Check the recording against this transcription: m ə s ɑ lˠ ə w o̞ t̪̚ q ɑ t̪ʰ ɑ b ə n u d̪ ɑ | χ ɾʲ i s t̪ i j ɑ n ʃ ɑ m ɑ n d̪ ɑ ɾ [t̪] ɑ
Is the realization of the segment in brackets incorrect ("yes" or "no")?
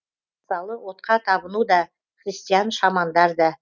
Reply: yes